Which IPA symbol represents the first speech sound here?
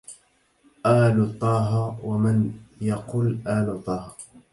ʔ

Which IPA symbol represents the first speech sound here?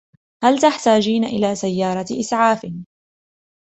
h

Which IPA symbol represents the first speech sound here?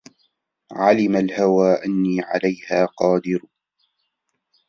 ʕ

